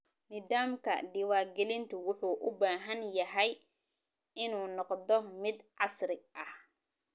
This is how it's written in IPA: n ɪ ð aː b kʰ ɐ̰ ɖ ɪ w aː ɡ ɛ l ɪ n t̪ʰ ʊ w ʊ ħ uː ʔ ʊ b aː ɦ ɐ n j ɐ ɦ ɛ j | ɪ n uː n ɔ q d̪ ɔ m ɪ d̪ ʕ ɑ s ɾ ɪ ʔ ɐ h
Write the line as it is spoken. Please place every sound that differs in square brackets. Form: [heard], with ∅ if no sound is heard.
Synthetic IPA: n ɪ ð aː [m] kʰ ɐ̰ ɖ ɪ w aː ɡ ɛ l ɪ n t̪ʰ ʊ w ʊ ħ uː ʔ ʊ b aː ɦ ɐ n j ɐ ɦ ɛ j | ɪ n uː n ɔ q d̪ ɔ m ɪ d̪ ʕ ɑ s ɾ ɪ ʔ ɐ h